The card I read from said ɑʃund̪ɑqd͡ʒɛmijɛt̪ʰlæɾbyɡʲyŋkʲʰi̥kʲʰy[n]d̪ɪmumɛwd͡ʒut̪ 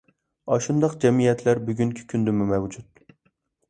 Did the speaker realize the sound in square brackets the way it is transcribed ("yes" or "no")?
yes